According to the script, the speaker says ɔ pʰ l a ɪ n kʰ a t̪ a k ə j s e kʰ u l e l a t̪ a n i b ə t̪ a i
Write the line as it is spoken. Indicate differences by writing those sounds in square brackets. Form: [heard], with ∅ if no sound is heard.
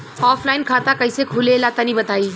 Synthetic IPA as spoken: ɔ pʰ l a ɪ n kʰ a t̪ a k ə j s e kʰ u l e l a t̪ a n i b ə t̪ a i